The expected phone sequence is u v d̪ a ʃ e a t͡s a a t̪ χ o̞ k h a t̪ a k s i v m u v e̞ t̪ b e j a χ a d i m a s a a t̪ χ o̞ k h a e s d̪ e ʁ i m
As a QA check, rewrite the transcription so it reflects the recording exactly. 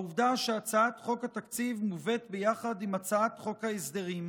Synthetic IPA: u v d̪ a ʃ e a t͡s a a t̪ χ o̞ k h a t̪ a k t͡s i v m u v e̞ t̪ b e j a χ a d i m a t͡s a a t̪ χ o̞ k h a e s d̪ e ʁ i m